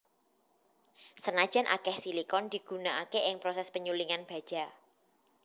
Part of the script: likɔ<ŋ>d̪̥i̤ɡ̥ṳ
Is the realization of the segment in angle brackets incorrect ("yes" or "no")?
yes